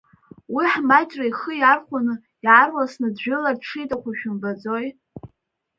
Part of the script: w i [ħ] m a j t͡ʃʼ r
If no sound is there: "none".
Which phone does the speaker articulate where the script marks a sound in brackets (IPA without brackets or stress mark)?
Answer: ħ